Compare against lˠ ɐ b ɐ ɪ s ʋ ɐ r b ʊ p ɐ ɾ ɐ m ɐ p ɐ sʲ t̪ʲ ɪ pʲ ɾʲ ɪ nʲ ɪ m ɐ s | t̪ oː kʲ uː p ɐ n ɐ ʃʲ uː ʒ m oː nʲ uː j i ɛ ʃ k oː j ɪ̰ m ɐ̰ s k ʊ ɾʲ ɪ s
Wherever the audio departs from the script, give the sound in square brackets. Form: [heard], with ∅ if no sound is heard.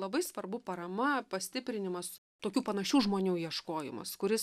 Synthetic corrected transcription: lˠ ɐ b ɐ ɪ s ʋ ɐ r b ʊ p ɐ ɾ ɐ m ɐ p ɐ sʲ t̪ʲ ɪ pʲ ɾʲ ɪ nʲ ɪ m ɐ s | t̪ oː kʲ uː p ɐ n ɐ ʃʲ uː ʒ m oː nʲ uː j i ɛ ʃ k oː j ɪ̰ m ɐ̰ s k ʊ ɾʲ ɪ s